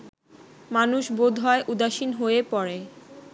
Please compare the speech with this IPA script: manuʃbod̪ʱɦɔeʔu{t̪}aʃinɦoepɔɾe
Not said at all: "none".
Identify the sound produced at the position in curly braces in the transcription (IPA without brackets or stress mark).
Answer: d̪